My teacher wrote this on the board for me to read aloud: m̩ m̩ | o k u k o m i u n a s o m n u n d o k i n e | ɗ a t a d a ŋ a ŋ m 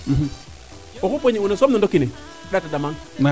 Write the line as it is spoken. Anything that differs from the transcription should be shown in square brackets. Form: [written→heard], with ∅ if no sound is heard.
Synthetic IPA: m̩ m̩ | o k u [k→p] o [m→ɲ] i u n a s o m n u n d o k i n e | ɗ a t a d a [ŋ→m] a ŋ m